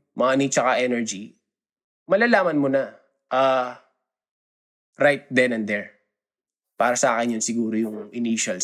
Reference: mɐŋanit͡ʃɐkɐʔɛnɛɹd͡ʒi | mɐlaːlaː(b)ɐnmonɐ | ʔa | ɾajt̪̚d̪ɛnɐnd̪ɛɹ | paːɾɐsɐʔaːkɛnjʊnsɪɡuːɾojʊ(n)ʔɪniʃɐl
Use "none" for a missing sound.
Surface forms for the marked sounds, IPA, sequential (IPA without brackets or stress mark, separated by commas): m, ŋ